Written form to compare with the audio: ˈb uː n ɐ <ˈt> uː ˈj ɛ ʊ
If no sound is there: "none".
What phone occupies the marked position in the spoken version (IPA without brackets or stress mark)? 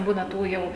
t